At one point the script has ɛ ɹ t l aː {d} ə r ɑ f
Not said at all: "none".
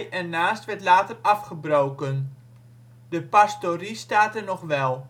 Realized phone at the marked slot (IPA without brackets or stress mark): t